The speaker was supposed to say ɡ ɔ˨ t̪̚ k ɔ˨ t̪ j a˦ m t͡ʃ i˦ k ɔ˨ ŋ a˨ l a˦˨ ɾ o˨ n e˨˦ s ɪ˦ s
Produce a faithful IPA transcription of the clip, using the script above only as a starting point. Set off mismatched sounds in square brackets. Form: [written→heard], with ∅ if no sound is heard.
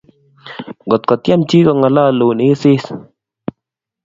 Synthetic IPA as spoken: ɡ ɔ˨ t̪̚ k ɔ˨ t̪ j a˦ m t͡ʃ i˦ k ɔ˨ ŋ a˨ l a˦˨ [ɾ→l] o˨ n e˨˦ s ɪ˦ s